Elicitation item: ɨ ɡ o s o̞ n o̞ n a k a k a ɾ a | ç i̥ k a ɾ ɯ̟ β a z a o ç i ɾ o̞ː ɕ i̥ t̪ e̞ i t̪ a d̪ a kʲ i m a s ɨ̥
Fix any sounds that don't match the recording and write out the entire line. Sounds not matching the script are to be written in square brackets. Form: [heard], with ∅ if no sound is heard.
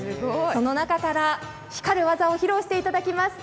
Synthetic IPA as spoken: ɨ ɡ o s o̞ n o̞ n a k a k a ɾ a | ç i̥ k a ɾ ɯ̟ β a z a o ç i ɾ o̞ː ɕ i̥ t̪ e̞ i t̪ a d̪ a kʲ i m a s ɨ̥